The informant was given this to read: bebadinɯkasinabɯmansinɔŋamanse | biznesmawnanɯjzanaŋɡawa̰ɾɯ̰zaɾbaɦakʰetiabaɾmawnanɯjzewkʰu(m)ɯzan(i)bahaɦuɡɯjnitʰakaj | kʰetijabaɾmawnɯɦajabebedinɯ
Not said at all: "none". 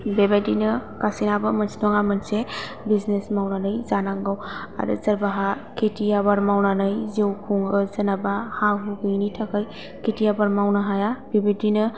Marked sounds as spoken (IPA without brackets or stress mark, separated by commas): ŋ, a